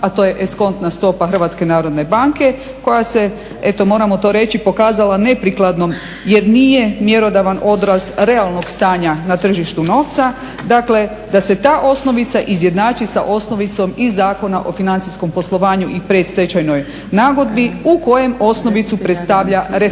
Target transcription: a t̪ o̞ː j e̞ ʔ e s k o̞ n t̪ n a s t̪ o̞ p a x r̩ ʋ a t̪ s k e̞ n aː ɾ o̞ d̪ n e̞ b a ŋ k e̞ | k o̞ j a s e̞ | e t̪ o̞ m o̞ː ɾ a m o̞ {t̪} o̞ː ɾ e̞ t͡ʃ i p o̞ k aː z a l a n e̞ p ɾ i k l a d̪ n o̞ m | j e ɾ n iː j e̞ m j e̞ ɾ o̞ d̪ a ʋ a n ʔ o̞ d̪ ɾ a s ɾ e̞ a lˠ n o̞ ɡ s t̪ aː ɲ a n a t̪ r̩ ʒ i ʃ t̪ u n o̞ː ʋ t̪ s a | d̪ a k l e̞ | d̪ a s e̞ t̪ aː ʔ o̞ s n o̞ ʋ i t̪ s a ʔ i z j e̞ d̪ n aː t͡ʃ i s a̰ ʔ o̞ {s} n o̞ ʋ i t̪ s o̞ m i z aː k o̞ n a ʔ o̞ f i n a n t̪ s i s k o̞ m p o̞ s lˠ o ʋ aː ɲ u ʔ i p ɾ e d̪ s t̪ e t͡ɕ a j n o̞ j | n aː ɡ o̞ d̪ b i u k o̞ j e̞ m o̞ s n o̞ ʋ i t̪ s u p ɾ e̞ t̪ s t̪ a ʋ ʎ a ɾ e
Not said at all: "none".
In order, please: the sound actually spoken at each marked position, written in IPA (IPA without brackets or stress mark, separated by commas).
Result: t̪, s